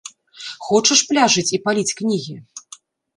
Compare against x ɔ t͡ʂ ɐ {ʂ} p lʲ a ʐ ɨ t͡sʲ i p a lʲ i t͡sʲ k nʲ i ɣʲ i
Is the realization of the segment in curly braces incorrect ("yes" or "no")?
no